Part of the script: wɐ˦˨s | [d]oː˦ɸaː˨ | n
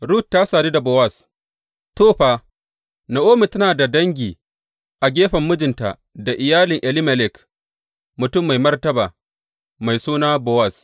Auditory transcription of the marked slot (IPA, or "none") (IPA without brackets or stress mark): t